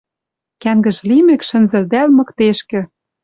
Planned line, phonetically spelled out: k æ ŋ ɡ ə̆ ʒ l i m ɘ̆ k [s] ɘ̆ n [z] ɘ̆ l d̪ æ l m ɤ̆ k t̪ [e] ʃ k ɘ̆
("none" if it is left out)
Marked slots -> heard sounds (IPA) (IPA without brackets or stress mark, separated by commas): ʃ, z, e